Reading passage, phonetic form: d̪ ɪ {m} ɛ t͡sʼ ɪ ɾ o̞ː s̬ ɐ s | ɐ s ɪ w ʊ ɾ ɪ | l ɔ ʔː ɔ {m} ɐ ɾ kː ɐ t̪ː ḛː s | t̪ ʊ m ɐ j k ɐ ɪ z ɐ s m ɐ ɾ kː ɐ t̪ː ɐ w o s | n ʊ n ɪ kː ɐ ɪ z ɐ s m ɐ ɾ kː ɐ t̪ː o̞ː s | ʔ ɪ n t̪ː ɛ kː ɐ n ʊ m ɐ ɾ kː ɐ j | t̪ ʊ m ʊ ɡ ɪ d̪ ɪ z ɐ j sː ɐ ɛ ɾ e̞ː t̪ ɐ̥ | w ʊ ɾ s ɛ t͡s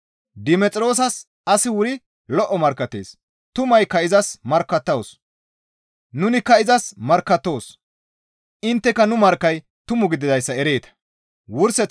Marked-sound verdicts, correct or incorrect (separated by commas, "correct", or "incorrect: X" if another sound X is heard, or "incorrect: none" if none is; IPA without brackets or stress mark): correct, correct